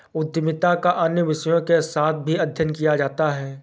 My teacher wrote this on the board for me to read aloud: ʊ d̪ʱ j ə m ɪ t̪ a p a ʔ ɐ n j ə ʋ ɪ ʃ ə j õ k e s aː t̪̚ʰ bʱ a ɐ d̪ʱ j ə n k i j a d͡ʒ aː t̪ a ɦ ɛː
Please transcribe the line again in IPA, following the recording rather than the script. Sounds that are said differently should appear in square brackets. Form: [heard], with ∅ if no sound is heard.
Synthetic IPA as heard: ʊ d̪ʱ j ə m ɪ t̪ a [k] a ʔ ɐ n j ə ʋ ɪ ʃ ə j õ k e s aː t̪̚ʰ bʱ [i] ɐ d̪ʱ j ə n k i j a d͡ʒ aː t̪ a ɦ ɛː